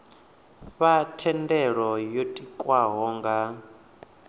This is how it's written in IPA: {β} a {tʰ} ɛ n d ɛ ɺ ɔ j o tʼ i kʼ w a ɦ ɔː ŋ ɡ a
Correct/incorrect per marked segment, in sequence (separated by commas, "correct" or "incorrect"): correct, correct